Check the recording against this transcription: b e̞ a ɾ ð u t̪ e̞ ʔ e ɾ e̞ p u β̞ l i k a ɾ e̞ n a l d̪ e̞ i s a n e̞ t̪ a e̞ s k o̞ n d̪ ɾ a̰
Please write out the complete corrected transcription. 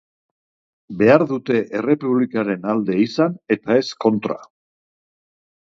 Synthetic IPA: b e̞ a ɾ ð u t̪ e̞ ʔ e r e̞ p u β̞ l i k a ɾ e̞ n a l d̪ e̞ i s a n e̞ t̪ a e̞ s k o̞ n t̪ ɾ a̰